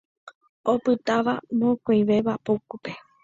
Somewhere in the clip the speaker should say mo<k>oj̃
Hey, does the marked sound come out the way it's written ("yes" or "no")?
yes